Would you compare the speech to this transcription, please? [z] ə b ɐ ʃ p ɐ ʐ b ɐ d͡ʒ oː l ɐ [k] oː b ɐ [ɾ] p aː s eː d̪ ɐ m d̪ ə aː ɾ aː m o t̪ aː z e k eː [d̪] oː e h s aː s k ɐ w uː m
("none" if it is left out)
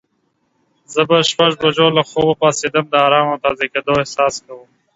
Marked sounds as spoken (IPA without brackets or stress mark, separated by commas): z, x, none, d̪